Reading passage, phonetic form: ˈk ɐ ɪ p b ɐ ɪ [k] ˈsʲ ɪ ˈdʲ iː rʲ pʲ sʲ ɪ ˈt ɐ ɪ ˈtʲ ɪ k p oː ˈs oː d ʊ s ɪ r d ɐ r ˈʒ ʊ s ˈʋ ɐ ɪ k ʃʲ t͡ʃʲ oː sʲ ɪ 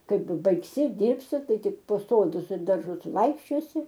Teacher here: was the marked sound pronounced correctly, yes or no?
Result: yes